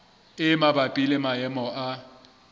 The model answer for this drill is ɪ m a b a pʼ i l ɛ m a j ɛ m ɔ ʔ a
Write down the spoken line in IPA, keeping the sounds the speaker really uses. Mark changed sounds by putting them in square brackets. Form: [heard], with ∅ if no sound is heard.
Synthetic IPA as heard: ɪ m a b a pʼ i l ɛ m a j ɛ m ɔ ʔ a